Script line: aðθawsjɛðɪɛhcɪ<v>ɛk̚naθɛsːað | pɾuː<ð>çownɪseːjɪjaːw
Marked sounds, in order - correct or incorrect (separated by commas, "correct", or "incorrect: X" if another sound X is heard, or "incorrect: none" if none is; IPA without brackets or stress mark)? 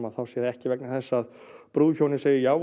correct, correct